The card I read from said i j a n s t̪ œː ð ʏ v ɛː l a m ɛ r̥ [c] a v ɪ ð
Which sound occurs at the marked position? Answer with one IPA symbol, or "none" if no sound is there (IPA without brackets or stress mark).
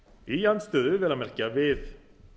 c